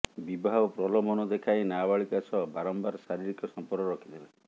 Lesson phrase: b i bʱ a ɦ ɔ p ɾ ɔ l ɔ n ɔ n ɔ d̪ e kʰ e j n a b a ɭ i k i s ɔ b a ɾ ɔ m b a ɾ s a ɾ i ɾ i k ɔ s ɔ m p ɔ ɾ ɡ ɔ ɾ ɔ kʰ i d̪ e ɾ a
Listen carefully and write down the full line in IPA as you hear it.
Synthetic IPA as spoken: b i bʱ a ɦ ɔ p ɾ ɔ l ɔ m ɔ n ɔ d̪ e kʰ a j n a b a ɭ i k a s ɔ b a ɾ ɔ m b a ɾ s a ɾ i ɾ i k ɔ s ɔ m p ɔ ɾ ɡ ɔ ɾ ɔ kʰ i d̪ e l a